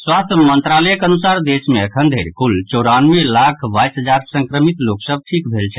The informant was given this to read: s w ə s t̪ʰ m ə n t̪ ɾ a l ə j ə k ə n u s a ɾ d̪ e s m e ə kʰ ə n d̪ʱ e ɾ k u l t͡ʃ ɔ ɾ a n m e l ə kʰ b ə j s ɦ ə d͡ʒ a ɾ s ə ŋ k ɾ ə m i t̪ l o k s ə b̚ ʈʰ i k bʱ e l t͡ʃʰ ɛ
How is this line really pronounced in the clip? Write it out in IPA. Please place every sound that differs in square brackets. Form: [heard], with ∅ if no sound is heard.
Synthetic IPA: s w [a] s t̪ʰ m ə n t̪ ɾ a l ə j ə k ə n u s a ɾ d̪ e s m e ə kʰ ə n d̪ʱ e ɾ k u l t͡ʃ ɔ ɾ a n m e l [a] kʰ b [a] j s ɦ ə d͡ʒ a ɾ s ə ŋ k ɾ ə m i t̪ l o k s ə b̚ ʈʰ i k bʱ e l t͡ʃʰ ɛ